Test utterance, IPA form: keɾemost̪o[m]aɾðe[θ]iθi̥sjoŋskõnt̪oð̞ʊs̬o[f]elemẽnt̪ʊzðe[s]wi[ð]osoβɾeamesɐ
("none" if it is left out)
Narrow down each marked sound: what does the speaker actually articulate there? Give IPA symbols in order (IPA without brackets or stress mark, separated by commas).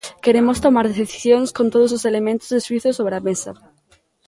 m, θ, s, s, θ